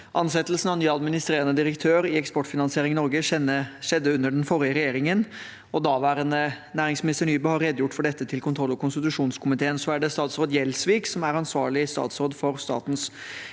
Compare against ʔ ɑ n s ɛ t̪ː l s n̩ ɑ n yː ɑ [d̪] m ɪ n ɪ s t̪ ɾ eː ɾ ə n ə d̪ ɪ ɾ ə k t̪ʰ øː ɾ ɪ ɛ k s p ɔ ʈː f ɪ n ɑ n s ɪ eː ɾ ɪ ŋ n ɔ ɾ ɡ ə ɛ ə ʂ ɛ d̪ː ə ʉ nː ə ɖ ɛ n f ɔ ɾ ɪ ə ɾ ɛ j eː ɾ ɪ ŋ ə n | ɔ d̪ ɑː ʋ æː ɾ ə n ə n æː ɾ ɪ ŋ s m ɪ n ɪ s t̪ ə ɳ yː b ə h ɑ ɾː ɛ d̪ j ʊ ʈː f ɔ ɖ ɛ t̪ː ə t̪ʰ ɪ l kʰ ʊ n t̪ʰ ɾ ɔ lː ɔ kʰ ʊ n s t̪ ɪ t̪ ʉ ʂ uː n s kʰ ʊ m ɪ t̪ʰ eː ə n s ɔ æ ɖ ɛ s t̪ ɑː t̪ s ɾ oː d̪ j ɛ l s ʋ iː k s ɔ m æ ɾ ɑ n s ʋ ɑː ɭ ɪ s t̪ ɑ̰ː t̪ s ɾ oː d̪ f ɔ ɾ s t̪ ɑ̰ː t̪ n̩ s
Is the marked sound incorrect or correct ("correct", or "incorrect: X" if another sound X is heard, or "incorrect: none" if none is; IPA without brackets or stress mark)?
correct